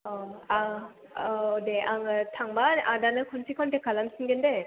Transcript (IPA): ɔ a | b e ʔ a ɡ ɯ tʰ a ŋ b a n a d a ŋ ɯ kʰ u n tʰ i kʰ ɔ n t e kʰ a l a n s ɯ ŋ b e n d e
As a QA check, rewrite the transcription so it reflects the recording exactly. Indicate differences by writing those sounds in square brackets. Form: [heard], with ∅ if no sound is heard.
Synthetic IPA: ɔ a | [d] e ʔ a [ŋ] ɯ tʰ a ŋ b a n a d a [n] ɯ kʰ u n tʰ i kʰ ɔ n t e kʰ a l a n s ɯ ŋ [ɡ] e n d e